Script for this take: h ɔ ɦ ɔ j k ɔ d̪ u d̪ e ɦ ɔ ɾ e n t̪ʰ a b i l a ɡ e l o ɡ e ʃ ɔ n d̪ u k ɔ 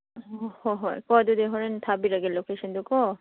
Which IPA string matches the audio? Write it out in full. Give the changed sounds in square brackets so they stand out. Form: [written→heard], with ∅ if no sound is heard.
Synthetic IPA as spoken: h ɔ ɦ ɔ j k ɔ d̪ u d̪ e ɦ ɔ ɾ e n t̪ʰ a b i [l→ɾ] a ɡ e l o [ɡ→k] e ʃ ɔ n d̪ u k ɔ